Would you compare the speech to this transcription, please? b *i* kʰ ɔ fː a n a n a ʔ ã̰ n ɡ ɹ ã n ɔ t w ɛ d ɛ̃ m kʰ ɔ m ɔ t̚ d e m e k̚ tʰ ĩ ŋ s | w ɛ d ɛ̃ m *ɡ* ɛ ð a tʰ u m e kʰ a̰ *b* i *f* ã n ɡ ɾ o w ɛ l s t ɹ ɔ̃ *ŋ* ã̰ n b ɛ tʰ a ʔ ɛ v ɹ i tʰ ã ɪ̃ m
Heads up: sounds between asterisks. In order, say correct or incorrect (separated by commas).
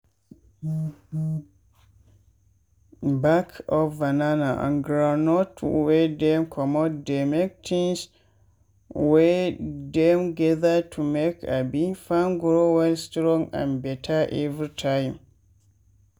incorrect, correct, correct, correct, correct